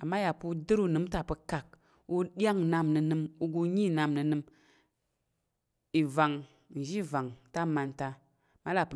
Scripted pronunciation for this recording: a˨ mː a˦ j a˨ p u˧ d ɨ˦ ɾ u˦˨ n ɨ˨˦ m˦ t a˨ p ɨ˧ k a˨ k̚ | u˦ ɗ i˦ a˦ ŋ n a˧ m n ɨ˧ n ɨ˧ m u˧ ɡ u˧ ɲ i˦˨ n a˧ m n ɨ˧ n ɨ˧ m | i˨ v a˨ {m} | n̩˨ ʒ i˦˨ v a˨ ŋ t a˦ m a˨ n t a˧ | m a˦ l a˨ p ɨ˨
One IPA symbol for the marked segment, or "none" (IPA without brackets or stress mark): ŋ